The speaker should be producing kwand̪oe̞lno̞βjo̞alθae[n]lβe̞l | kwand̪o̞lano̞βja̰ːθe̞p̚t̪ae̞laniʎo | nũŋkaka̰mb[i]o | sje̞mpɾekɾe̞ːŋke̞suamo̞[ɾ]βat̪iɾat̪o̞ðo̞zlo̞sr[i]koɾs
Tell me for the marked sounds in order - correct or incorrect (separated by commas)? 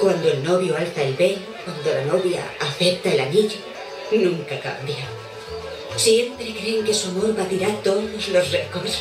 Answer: incorrect, incorrect, correct, incorrect